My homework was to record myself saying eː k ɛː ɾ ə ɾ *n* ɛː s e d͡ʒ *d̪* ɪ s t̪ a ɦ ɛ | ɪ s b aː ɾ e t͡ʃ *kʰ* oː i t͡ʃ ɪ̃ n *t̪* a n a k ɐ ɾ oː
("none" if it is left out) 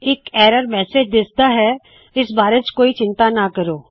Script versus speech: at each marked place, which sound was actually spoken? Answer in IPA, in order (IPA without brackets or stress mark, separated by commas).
m, d̪, k, t̪